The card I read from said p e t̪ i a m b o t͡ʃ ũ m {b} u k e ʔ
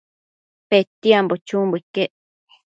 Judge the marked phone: correct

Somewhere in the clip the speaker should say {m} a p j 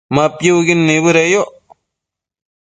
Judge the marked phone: correct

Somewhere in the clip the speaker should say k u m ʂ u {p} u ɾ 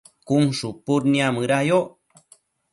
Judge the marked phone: correct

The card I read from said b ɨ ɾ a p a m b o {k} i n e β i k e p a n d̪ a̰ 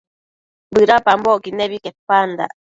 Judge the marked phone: correct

